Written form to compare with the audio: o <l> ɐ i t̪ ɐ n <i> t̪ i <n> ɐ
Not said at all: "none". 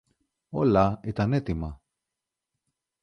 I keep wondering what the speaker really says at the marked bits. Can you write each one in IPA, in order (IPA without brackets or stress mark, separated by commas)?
l, e, m